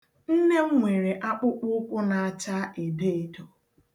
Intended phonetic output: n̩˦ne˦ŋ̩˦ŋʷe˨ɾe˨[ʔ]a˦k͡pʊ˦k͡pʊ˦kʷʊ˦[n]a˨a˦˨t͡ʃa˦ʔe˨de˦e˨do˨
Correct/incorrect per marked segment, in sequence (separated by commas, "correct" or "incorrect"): correct, correct